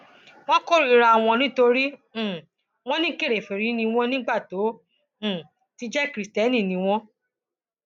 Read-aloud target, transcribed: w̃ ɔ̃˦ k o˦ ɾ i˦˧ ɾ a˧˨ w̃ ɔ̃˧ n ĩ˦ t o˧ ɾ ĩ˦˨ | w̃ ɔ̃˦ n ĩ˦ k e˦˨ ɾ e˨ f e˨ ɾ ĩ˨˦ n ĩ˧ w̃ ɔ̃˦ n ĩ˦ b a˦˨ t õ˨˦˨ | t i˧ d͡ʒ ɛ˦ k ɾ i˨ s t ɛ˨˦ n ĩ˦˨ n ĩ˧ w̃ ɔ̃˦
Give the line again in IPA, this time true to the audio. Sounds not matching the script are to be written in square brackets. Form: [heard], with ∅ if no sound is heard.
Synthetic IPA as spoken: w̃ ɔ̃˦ k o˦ ɾ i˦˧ ɾ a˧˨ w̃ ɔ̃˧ n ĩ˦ t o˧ ɾ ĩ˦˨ | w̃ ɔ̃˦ n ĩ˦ k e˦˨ ɾ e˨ f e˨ ɾ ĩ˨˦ n ĩ˧ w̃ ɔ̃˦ n ĩ˦ [ɡ͡b] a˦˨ t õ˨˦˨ | t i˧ d͡ʒ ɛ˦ k ɾ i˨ s t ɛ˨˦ n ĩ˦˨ n ĩ˧ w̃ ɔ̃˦